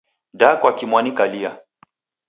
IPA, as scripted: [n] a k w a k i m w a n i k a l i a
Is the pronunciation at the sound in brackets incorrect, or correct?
incorrect